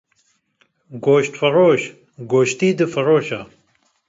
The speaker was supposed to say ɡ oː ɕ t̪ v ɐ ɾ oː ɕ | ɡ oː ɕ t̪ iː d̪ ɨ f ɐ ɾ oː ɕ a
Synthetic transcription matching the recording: ɡ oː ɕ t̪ f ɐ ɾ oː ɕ | ɡ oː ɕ t̪ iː d̪ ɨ f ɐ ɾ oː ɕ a